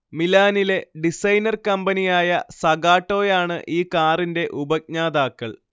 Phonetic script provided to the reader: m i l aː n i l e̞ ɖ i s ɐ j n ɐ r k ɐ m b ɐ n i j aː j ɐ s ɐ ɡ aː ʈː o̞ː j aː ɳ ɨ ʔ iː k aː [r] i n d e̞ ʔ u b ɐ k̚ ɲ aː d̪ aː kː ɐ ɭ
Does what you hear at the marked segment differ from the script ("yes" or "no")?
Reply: no